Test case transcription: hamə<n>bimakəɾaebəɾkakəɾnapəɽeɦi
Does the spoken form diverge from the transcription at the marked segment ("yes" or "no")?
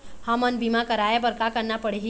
no